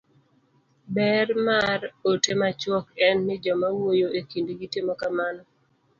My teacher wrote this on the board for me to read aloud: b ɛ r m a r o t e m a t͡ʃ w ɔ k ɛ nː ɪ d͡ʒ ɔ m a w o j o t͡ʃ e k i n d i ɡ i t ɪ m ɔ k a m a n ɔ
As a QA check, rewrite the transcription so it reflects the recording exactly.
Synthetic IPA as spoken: b ɛ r m a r o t e m a t͡ʃ w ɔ k ɛ nː ɪ d͡ʒ ɔ m a w o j o e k i n d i ɡ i t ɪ m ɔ k a m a n ɔ

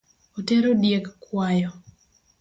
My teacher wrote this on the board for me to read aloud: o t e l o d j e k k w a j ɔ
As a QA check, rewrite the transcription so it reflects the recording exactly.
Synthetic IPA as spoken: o t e ɾ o d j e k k w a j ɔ

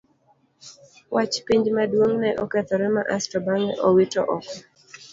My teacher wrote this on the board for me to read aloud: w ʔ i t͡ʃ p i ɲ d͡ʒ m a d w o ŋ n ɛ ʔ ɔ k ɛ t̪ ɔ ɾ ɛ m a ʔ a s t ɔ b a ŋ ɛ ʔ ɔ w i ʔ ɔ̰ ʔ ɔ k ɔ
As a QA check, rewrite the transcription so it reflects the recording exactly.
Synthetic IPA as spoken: w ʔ a t͡ʃ p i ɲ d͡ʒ m a d w o ŋ n ɛ ʔ ɔ k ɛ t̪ ɔ ɾ ɛ m a ʔ a s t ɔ b a ŋ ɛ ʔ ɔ w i t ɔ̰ ʔ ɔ k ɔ

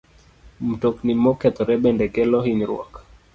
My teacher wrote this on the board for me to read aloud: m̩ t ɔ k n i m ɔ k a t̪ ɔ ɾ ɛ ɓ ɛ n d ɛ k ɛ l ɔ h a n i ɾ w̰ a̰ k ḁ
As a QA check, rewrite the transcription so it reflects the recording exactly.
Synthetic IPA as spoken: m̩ t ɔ k n i m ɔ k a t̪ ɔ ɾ ɛ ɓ ɛ n d ɛ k ɛ l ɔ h i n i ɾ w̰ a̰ k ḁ

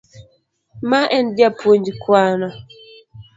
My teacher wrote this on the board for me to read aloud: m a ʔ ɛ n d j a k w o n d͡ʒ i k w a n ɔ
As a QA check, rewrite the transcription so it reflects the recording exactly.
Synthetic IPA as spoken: m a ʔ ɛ n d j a p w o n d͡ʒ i k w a n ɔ

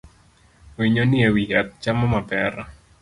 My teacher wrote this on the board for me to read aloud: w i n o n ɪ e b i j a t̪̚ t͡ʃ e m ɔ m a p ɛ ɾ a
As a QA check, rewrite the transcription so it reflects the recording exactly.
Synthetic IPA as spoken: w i ɲ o n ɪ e w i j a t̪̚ t͡ʃ a m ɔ m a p ɛ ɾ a

